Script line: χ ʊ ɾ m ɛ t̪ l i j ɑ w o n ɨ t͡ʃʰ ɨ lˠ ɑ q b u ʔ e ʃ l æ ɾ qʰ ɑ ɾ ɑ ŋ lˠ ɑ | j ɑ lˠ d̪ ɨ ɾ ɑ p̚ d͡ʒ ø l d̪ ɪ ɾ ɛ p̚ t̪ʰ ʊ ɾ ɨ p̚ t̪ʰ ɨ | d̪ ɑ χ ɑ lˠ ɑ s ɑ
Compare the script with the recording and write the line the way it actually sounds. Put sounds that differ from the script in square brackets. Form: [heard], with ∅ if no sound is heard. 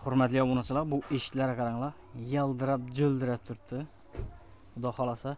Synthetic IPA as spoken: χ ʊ ɾ m ɛ t̪ l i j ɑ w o n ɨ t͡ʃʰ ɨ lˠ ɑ q b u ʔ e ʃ l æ ɾ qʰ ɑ ɾ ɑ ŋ lˠ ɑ | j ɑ lˠ d̪ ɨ ɾ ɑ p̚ d͡ʒ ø l d̪ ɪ ɾ ɛ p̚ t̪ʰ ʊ ɾ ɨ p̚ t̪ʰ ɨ | d̪ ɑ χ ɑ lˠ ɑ s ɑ